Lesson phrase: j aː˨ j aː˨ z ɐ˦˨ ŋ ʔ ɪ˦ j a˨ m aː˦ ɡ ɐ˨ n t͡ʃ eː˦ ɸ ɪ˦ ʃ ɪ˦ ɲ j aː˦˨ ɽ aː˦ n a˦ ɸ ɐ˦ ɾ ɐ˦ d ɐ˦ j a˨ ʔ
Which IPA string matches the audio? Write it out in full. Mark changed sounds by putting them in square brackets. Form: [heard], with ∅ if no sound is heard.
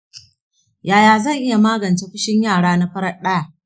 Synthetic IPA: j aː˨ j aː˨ z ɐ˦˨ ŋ ʔ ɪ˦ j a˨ m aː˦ ɡ ɐ˨ n t͡ʃ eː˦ ɸ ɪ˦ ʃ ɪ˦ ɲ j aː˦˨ ɽ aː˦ n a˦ ɸ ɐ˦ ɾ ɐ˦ [ɗ] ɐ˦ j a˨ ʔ